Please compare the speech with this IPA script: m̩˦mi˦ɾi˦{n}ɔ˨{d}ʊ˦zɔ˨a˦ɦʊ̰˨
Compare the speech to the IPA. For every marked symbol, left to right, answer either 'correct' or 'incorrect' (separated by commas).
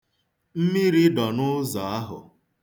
incorrect, incorrect